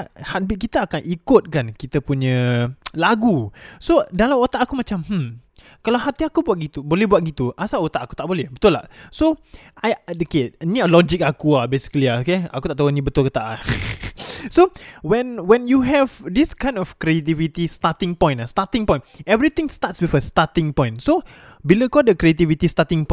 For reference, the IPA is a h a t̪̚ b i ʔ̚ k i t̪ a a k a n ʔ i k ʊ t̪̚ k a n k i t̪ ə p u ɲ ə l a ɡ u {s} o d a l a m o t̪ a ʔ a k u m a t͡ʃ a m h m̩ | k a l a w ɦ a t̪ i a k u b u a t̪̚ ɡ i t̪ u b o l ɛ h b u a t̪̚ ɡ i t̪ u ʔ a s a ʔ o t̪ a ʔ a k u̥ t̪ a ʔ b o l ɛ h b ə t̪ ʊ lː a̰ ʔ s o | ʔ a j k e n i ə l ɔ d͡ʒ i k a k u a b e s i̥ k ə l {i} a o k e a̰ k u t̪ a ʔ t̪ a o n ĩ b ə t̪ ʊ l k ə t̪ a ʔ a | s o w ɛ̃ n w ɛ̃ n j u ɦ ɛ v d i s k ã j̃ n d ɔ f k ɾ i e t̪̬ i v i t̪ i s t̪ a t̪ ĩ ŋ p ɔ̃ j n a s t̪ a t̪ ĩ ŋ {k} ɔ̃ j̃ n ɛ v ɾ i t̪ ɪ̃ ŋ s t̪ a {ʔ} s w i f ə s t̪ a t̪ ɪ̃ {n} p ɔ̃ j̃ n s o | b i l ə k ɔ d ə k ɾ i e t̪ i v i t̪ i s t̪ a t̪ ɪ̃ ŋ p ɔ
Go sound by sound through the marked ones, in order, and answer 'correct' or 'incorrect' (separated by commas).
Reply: correct, correct, incorrect, incorrect, incorrect